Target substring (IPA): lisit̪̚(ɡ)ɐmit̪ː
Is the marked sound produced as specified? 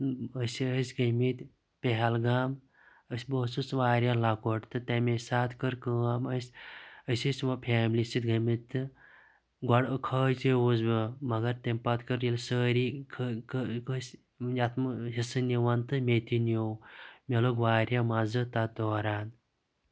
yes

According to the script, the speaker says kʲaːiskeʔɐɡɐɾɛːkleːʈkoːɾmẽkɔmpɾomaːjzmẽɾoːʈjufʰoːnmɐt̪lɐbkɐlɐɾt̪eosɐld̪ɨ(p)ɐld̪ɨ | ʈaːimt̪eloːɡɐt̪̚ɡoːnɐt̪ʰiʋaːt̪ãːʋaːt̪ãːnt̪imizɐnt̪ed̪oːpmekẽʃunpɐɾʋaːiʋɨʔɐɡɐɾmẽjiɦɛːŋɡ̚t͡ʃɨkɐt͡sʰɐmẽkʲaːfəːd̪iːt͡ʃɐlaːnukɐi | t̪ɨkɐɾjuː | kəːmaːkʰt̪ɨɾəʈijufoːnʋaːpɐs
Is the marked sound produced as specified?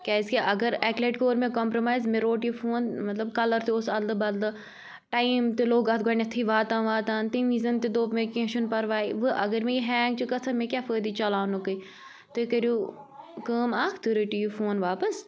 no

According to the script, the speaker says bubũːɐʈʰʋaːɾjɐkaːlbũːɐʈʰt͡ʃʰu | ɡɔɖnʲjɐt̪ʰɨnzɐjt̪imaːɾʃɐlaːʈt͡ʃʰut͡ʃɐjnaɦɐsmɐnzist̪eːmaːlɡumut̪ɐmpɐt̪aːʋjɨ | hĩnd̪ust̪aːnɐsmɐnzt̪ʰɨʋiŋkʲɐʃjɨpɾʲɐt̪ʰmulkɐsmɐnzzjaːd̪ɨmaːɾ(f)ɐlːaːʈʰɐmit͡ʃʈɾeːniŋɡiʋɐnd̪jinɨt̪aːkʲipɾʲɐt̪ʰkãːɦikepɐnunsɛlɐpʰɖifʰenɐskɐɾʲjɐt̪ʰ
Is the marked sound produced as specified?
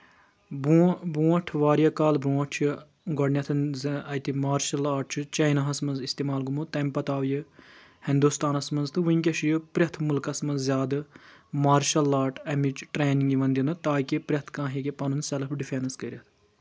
no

